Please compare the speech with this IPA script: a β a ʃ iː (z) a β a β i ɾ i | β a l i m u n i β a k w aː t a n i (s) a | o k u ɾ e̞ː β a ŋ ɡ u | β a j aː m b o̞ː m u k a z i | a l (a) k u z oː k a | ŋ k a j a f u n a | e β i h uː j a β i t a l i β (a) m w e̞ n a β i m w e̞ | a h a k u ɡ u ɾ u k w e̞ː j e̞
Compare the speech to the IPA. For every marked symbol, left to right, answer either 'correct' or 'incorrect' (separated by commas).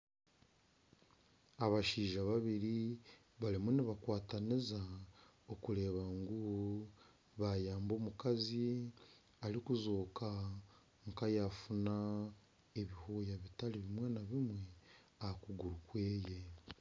incorrect, incorrect, incorrect, incorrect